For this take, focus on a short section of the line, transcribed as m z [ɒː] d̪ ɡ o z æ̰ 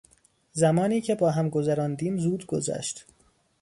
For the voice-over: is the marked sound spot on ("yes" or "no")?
no